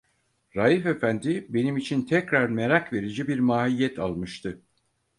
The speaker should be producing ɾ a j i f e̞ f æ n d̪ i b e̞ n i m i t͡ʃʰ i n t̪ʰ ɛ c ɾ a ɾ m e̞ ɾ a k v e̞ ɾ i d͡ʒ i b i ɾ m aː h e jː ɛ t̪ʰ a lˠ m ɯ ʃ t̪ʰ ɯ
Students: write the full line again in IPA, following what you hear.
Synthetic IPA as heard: ɾ a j i f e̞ f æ n d̪ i b e̞ n i m i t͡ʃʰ i n t̪ʰ ɛ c ɾ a ɾ m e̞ ɾ a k v e̞ ɾ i d͡ʒ i b i ɾ m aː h i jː ɛ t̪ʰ a lˠ m ɯ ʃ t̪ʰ ɯ